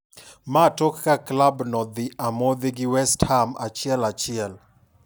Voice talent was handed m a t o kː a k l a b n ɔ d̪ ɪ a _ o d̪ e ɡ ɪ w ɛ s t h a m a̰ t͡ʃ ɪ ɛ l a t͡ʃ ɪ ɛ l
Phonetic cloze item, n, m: m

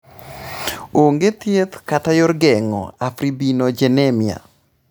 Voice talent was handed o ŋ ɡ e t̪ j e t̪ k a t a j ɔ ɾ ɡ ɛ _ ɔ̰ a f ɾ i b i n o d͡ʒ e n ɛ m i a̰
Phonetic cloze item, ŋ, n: ŋ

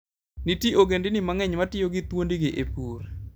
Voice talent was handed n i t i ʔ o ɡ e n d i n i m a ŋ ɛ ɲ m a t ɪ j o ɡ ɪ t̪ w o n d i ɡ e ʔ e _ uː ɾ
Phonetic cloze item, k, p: p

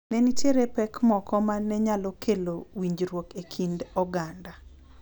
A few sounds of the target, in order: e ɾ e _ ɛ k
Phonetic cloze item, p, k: p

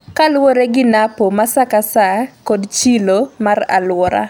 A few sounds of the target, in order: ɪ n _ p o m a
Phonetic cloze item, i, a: a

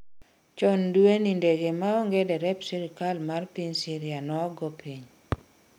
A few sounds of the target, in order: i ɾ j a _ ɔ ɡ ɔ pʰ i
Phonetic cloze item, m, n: n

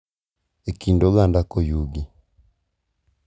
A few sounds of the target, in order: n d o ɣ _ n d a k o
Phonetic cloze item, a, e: a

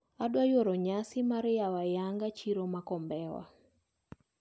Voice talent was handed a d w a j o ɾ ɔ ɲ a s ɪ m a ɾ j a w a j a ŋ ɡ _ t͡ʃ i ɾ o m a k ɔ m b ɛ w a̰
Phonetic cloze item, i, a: a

